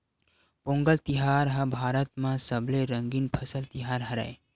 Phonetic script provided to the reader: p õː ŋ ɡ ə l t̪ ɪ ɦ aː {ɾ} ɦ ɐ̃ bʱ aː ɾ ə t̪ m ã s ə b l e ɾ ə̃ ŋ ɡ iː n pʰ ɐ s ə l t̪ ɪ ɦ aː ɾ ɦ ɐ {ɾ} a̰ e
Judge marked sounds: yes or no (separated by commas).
yes, yes